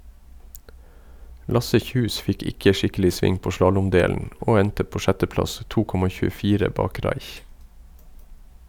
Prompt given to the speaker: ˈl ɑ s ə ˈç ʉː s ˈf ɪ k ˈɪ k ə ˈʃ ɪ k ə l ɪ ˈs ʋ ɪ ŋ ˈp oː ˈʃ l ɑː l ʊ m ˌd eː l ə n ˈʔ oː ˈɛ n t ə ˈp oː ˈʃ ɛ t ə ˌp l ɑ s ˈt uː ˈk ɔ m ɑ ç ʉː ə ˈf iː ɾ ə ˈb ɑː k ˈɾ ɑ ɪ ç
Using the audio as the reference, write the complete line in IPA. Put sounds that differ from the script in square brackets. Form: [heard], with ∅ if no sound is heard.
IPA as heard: ˈl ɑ s ə ˈç ʉː s ˈf ɪ k ˈɪ k ə ˈʃ ɪ k ə l ɪ ˈs ʋ ɪ ŋ ˈp oː ˈʃ l ɑː l ʊ m ˌd eː l ə n ˈʔ oː ˈɛ n t ə ˈp oː ˈʃ ɛ t ə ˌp l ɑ s ˈt uː ˈk ɔ m ɑ ç ʉː ə ˈf iː ɾ ə ˈb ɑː k ˈɾ ɑ ɪ ç